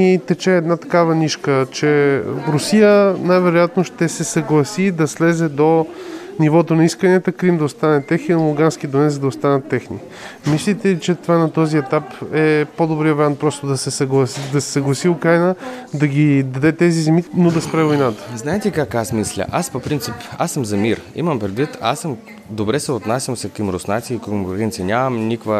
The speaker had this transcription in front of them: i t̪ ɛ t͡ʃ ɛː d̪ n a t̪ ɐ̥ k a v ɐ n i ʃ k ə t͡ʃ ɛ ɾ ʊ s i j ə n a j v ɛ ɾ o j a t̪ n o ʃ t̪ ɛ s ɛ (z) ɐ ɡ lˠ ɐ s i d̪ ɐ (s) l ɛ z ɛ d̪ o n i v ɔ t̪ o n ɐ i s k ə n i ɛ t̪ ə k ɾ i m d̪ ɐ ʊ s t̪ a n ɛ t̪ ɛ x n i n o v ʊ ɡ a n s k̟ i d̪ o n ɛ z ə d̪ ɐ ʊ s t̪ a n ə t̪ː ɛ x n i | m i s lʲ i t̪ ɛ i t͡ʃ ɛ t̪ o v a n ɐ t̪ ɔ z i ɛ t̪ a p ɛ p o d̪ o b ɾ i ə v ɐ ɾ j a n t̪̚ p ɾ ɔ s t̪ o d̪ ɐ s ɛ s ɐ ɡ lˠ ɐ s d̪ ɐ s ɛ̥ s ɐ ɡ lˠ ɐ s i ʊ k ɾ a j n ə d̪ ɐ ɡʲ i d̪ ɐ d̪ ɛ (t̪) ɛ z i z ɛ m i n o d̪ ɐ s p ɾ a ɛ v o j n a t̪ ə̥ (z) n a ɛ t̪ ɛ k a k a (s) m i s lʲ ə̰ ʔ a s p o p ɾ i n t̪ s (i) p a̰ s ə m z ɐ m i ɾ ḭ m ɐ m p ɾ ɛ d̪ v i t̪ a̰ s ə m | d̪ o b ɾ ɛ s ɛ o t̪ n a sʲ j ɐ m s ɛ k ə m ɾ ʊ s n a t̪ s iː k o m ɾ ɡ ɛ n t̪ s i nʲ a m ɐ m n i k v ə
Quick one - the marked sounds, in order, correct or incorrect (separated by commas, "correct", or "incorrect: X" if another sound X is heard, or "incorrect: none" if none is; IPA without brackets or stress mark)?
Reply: incorrect: s, correct, correct, correct, correct, correct